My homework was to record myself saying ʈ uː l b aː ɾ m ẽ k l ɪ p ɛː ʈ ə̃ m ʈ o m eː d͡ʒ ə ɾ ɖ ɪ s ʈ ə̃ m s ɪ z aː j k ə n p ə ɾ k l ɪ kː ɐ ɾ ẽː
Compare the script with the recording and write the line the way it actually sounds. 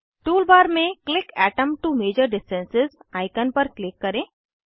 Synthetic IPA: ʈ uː l b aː ɾ m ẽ k l ɪ k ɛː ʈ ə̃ m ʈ u m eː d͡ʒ ə ɾ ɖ ɪ s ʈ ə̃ n s ɪ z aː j k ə n p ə ɾ k l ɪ kː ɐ ɾ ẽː